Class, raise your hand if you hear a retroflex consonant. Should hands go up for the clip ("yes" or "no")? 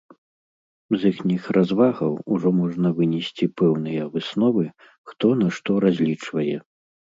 yes